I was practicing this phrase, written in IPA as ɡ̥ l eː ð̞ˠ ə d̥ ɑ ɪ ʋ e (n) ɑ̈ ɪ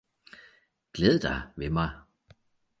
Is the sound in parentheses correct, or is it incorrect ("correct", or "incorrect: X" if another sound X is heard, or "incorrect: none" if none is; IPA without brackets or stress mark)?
incorrect: m